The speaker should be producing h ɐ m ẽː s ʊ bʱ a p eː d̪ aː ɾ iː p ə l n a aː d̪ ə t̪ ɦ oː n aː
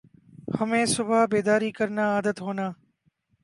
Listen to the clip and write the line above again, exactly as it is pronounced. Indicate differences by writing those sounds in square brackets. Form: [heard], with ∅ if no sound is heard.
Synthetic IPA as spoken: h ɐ m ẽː s ʊ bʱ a [b] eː d̪ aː ɾ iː [k] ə [ɾ] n a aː d̪ ə t̪ ɦ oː n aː